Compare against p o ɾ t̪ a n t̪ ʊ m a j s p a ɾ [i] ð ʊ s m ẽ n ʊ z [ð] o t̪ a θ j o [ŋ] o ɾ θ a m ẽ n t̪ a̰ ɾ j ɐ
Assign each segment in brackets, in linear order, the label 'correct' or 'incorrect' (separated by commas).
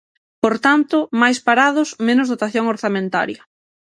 incorrect, correct, correct